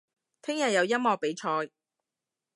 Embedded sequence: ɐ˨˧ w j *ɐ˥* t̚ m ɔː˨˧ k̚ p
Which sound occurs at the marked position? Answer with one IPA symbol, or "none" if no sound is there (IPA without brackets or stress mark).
ɐ˥